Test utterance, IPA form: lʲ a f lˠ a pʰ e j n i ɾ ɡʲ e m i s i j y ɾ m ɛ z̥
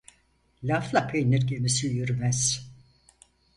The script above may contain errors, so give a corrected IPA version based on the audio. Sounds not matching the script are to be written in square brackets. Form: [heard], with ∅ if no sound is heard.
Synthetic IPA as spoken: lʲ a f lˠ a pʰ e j n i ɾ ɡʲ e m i s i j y ɾ m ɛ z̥